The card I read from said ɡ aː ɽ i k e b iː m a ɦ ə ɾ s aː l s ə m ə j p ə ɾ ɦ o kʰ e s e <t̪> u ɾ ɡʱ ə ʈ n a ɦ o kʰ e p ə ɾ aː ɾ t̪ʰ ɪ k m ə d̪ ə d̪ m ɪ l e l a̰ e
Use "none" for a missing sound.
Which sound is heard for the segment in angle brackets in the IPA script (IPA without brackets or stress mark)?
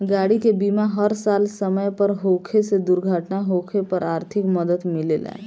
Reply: d̪